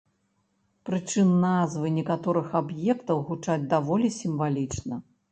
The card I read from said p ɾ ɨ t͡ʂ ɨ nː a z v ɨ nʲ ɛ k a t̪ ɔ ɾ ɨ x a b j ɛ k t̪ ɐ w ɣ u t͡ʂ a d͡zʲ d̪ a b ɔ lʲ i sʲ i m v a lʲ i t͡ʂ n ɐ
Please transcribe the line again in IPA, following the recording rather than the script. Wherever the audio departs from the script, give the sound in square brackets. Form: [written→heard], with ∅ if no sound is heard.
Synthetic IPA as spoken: p ɾ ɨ t͡ʂ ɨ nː a z v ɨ nʲ ɛ k a t̪ ɔ ɾ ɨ x a b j ɛ k t̪ ɐ w ɣ u t͡ʂ a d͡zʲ d̪ a [b→v] ɔ lʲ i sʲ i m v a lʲ i t͡ʂ n ɐ